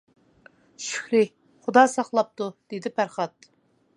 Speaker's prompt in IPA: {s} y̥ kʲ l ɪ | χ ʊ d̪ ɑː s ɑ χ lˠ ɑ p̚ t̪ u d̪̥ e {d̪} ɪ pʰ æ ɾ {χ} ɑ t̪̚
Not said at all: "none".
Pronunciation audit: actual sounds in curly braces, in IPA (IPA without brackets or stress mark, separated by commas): ʃ, d̪, χ